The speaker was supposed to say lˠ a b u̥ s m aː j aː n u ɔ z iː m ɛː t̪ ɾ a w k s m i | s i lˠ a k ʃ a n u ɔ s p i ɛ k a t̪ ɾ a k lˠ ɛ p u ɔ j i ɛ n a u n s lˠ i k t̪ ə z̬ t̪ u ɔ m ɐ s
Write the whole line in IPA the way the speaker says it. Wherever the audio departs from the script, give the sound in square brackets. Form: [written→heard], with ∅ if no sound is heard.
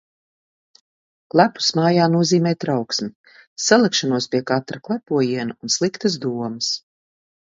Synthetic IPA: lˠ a [b→p] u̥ s m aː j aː n u ɔ z iː m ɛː t̪ ɾ a w k s m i | s [i→a] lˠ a k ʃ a n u ɔ s p i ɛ k a t̪ ɾ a k lˠ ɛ p u ɔ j i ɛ n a u n s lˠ i k t̪ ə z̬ [t̪→d̪] u ɔ m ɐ s